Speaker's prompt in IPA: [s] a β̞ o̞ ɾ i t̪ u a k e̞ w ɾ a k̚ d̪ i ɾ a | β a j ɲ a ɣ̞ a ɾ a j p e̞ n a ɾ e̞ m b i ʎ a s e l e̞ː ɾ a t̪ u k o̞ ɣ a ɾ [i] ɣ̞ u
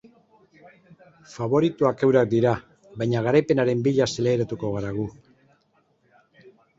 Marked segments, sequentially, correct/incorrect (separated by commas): incorrect, incorrect